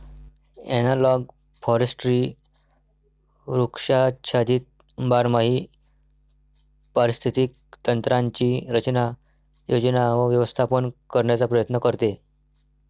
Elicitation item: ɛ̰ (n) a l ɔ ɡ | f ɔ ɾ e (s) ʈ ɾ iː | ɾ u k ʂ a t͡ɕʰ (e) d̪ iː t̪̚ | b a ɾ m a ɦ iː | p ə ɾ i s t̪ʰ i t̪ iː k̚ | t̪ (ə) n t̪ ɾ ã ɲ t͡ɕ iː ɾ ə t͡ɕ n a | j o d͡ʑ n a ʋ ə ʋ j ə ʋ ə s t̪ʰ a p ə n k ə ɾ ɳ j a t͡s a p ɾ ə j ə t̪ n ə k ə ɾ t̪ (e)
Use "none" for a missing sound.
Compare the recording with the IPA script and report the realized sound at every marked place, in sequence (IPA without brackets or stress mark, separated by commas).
n, s, a, ə, e